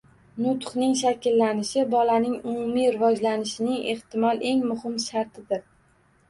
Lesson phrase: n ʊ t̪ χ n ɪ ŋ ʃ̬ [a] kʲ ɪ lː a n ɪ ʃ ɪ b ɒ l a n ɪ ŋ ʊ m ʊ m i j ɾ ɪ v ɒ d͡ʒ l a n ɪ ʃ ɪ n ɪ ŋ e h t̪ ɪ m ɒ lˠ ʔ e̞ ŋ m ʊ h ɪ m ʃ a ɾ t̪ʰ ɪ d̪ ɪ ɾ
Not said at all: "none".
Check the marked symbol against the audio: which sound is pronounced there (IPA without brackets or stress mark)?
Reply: a